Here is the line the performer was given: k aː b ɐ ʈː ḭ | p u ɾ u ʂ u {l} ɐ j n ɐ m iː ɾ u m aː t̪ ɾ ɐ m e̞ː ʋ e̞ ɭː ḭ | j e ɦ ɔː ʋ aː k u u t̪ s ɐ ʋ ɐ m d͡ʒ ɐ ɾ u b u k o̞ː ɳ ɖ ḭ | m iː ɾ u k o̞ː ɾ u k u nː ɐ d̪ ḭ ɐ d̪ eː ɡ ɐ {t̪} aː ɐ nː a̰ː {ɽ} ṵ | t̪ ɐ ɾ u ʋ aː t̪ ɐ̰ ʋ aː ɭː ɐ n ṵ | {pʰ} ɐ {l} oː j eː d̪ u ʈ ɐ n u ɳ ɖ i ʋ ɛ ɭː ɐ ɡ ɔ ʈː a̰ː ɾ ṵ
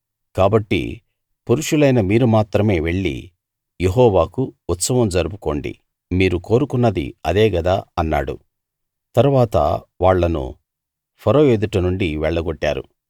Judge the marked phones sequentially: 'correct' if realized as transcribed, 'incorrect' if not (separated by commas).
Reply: correct, incorrect, correct, correct, incorrect